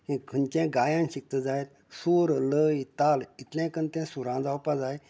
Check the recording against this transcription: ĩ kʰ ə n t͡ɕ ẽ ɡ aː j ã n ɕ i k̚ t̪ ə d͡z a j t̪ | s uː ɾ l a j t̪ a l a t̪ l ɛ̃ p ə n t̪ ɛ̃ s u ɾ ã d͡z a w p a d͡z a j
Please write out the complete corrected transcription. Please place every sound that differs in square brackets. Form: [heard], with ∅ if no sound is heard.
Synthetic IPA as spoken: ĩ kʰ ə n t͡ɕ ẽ ɡ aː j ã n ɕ i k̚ t̪ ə d͡z a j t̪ | s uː ɾ l [ə] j t̪ a l [i] t̪ l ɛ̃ [k] ə n t̪ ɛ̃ s u ɾ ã d͡z a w p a d͡z a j